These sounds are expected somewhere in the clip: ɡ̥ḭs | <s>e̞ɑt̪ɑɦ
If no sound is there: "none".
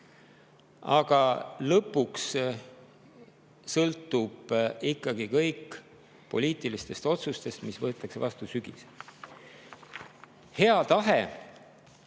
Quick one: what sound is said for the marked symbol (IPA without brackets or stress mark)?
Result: h